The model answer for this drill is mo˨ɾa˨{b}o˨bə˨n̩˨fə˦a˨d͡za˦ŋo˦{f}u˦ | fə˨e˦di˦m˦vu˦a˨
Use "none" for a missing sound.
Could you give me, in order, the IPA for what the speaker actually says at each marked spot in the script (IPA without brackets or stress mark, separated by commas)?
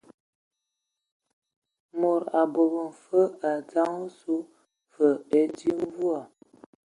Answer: b, s